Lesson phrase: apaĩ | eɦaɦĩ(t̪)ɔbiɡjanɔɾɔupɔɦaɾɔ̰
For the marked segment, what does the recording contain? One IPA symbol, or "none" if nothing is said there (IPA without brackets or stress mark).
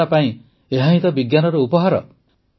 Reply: t̪